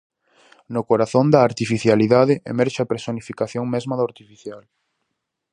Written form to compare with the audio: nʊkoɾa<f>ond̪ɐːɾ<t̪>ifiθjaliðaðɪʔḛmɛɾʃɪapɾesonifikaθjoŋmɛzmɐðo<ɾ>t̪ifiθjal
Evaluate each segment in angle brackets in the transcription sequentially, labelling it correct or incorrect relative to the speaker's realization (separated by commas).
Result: incorrect, correct, correct